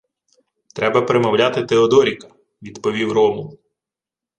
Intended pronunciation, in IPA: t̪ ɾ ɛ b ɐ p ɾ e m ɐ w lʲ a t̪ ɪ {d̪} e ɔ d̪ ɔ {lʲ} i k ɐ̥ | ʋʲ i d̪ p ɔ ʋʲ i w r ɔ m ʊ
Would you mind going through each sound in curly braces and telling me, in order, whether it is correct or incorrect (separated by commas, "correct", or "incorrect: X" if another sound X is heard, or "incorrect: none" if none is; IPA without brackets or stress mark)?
incorrect: t̪, incorrect: ɾʲ